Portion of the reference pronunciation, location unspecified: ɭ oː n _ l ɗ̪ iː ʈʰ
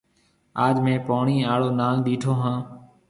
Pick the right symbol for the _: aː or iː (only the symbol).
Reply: aː